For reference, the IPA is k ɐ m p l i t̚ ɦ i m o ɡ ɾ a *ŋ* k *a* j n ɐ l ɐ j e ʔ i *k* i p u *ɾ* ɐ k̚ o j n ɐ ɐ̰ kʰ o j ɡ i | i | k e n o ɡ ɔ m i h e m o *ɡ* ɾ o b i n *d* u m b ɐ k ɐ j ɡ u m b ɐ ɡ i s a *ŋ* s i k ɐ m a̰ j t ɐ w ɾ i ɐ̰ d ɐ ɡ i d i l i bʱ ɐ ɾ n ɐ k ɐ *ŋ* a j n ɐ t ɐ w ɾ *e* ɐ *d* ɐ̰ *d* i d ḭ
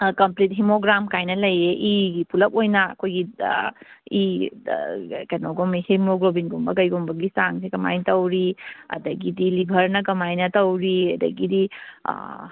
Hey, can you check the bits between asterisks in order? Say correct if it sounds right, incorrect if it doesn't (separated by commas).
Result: incorrect, correct, incorrect, incorrect, correct, incorrect, correct, incorrect, incorrect, correct, incorrect